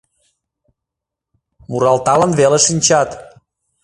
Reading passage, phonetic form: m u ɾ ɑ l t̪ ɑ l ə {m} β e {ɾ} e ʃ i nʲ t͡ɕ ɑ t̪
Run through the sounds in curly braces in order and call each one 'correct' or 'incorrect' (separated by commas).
incorrect, incorrect